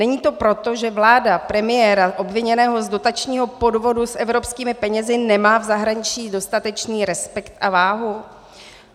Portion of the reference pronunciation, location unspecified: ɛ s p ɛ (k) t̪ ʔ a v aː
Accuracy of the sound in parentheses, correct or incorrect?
correct